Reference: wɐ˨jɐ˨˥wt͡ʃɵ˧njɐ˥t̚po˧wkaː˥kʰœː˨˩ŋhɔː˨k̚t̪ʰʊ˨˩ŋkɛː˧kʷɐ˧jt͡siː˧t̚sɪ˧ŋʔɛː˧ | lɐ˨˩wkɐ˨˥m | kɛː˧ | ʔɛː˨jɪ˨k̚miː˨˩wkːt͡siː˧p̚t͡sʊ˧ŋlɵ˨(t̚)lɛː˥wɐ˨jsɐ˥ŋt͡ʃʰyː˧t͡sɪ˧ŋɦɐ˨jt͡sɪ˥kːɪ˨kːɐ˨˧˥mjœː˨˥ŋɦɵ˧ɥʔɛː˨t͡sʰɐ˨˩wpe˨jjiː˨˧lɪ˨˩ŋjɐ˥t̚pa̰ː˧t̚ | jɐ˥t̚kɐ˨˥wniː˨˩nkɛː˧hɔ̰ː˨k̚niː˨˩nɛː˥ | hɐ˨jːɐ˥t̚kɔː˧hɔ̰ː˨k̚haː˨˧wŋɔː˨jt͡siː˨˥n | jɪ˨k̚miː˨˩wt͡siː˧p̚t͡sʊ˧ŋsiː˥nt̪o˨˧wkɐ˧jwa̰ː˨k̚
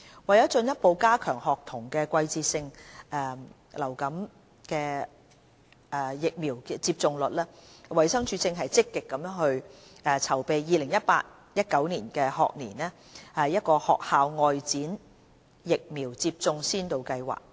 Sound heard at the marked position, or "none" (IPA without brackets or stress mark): t̚